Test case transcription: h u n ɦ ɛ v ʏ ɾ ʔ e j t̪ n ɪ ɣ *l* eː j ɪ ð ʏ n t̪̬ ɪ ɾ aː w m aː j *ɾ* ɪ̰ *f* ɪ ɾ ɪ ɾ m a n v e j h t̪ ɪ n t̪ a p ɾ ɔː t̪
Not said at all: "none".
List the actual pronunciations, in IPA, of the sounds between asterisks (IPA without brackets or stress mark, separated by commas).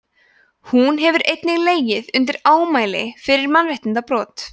l, l, f